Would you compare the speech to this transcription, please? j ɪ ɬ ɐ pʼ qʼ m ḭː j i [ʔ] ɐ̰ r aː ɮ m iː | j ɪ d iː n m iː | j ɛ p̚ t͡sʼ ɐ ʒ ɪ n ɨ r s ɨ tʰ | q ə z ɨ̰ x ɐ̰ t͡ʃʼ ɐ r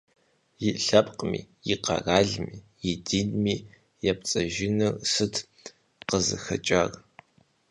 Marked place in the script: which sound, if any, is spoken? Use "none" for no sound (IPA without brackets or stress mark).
q